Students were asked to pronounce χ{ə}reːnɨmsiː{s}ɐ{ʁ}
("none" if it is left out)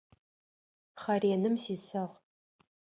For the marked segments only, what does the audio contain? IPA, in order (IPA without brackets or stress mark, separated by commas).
ɐ, s, ʁ